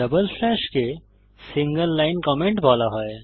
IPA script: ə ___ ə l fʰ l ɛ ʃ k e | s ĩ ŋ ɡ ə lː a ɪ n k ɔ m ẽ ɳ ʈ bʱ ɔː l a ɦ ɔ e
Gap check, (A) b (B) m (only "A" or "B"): A